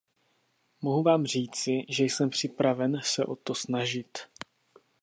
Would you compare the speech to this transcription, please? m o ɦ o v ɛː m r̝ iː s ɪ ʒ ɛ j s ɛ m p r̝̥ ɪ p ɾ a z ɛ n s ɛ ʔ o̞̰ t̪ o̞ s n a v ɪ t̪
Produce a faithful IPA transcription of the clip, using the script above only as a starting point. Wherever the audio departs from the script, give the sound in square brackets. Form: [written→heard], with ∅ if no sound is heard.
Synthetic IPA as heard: m o ɦ [o→u] v [ɛː→aː] m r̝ iː [s→t͡s] ɪ ʒ ɛ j s ɛ m p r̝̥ ɪ p ɾ a [z→v] ɛ n s ɛ ʔ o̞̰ t̪ o̞ s n a [v→ʒ] ɪ t̪